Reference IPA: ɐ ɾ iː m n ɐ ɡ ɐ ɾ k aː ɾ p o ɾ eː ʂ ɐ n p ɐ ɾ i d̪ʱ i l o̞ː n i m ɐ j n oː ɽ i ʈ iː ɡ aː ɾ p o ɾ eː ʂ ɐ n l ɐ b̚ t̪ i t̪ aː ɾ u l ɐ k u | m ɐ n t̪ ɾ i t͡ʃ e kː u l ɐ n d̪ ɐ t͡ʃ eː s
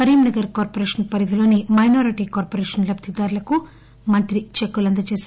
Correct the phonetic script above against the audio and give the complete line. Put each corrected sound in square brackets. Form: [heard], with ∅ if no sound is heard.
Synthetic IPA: ɐ ɾ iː m n ɐ ɡ ɐ ɾ k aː ɾ p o ɾ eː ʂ ɐ n p ɐ ɾ i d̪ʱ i l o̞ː n i m ɐ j n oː [ɾ] i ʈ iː [k] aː ɾ p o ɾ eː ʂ ɐ n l ɐ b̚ t̪ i [d̪] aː ɾ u l ɐ k u | m ɐ n t̪ ɾ i t͡ʃ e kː u l ɐ n d̪ ɐ t͡ʃ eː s